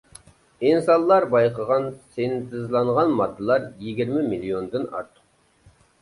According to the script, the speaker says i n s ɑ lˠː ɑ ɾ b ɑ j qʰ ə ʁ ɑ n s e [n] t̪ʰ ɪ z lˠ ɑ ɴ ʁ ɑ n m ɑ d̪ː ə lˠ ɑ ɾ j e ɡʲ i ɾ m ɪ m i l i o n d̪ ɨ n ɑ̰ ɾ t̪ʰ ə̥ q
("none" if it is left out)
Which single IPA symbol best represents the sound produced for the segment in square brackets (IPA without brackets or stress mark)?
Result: n